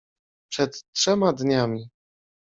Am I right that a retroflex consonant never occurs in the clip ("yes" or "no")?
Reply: no